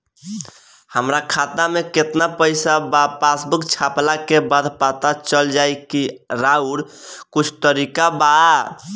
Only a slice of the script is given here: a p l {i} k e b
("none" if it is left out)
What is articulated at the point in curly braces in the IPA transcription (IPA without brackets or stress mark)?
a